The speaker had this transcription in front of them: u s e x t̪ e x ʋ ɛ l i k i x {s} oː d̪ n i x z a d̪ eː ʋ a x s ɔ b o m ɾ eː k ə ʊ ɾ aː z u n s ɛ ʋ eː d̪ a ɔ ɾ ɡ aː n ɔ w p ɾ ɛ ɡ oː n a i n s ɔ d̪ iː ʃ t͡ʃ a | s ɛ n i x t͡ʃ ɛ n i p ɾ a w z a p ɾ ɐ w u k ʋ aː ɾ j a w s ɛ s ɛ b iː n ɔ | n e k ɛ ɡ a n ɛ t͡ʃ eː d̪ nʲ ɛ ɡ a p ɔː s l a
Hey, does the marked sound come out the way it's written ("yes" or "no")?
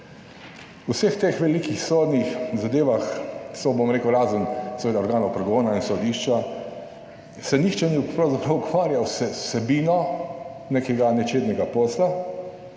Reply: yes